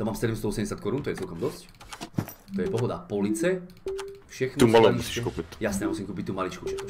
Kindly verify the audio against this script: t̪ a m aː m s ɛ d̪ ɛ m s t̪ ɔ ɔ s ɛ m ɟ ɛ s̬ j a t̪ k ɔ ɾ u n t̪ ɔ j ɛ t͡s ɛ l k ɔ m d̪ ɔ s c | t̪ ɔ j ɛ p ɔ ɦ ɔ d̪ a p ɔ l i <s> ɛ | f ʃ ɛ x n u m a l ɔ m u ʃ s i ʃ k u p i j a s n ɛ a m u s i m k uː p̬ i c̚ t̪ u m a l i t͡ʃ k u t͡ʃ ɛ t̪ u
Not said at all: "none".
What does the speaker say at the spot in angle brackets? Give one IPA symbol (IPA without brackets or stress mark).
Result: t͡s